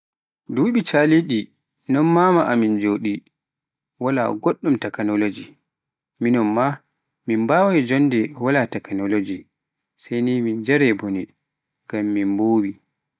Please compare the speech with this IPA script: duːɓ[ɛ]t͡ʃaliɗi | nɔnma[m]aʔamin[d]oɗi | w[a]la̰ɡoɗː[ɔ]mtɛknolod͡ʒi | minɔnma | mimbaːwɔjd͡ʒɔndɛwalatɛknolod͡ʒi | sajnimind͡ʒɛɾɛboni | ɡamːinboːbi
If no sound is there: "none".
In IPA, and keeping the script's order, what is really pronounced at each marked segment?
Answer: i, m, d͡ʒ, a, u

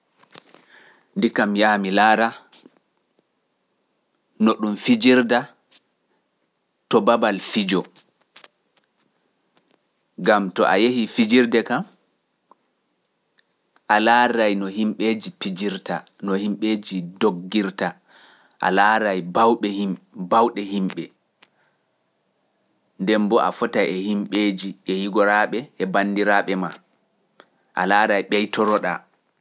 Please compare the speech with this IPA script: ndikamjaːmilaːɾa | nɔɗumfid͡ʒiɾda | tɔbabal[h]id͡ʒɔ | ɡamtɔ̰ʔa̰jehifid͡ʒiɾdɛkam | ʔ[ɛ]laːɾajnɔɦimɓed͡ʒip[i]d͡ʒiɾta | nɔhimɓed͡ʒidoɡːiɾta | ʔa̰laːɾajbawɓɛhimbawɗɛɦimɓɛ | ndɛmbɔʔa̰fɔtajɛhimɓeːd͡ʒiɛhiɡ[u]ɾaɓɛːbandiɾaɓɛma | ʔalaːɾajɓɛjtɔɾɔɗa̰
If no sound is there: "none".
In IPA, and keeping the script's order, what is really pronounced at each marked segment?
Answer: f, a, i, ɔ

